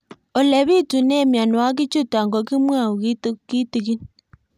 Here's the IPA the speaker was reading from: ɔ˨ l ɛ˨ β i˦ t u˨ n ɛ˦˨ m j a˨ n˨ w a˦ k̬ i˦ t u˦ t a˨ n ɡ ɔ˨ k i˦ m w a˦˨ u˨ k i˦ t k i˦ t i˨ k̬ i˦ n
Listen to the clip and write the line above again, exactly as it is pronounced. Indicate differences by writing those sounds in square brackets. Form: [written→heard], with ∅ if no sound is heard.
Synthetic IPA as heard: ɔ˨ l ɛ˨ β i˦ t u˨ n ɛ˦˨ m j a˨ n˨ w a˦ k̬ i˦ [t→t͡ʃ] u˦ t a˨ [n→ŋ] ɡ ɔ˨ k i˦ m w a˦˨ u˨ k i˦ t k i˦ t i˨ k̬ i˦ n